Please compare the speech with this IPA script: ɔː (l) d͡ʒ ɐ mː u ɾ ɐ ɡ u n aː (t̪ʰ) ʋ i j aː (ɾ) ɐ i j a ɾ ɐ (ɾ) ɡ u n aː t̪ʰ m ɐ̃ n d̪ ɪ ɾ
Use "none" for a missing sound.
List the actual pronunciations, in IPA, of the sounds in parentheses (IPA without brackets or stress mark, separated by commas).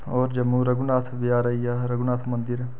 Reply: ɾ, t̪ʰ, ɾ, none